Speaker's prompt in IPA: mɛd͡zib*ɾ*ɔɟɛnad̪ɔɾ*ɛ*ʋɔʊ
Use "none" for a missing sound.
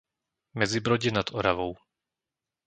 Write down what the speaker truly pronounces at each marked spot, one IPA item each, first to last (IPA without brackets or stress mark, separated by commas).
ɾ, a